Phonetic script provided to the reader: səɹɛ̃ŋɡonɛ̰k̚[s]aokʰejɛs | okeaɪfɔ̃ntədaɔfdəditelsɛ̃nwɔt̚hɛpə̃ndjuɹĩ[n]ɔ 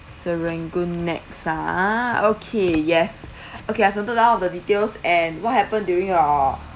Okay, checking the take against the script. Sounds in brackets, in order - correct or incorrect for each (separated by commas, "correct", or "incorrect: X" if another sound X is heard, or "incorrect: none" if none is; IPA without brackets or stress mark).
correct, incorrect: ŋ